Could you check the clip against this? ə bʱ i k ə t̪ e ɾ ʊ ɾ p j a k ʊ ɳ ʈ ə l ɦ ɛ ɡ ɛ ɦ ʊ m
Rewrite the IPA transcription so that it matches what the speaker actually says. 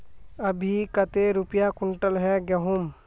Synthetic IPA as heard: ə bʱ i k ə t̪ e ɾ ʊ p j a k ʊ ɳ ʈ ə l ɦ ɛ ɡ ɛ ɦ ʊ m